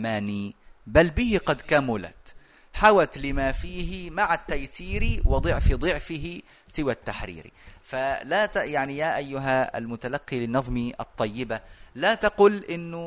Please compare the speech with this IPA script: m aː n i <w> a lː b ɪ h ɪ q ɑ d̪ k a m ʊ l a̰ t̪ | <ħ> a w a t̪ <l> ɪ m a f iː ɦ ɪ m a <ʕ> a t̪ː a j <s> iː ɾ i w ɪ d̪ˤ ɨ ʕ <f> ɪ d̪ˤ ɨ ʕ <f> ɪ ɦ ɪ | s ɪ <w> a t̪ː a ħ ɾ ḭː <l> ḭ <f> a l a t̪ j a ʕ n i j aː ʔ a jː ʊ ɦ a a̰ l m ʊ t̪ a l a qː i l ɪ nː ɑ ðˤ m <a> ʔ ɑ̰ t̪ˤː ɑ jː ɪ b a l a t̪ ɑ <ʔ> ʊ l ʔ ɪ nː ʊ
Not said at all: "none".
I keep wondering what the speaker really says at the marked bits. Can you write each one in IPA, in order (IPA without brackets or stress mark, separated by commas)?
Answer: b, ħ, l, ʕ, s, f, f, w, ɾ, f, i, q